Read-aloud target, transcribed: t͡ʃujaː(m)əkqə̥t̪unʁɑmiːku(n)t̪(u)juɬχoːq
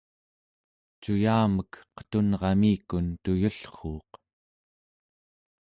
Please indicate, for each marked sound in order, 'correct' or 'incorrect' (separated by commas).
correct, correct, correct